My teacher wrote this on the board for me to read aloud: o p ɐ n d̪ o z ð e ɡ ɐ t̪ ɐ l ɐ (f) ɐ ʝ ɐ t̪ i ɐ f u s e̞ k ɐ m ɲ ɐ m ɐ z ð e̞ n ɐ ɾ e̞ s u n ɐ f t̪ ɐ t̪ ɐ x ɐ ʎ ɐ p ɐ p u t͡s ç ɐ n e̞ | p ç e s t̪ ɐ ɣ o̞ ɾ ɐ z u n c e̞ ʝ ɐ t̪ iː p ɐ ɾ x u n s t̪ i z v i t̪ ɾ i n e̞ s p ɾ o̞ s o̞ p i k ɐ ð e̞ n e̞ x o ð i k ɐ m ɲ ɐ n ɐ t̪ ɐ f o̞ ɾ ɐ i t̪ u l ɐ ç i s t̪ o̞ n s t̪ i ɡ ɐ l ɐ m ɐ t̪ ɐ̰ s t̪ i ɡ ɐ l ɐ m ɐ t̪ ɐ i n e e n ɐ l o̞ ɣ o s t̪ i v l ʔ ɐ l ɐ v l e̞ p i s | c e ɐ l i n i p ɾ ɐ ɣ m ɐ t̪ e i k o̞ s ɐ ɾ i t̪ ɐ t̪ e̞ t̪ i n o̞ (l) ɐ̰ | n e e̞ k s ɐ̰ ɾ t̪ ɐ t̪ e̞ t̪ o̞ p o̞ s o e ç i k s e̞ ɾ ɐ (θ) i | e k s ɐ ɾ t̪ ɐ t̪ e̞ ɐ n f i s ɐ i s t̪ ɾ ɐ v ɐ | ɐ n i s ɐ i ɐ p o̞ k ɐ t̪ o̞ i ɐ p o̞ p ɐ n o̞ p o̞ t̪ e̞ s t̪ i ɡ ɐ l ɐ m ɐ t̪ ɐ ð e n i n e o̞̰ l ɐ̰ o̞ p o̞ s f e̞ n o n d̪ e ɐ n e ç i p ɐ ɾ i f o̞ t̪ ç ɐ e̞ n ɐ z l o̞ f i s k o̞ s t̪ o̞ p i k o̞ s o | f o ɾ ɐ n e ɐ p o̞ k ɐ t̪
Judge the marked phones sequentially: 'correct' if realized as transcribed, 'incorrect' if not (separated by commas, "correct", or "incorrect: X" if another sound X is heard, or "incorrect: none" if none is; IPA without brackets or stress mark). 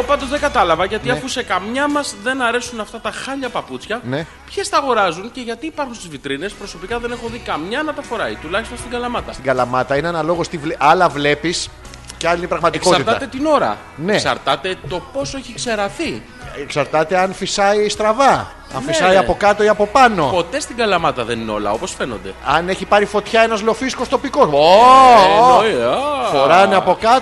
incorrect: v, incorrect: ɾ, correct